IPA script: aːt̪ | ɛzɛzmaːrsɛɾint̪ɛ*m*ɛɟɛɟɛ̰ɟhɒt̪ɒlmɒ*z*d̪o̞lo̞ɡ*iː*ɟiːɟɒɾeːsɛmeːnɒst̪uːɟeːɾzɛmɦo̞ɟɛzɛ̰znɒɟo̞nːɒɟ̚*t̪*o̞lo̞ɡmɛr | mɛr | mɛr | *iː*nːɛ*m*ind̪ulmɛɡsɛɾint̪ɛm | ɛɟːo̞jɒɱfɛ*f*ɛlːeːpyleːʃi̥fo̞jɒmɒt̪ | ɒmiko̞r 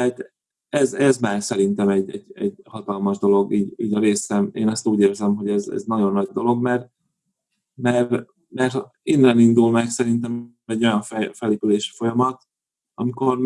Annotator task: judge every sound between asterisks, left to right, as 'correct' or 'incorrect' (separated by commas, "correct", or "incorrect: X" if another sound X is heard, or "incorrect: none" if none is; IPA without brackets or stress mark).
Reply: correct, incorrect: ʒ, correct, incorrect: d̪, incorrect: i, incorrect: n, correct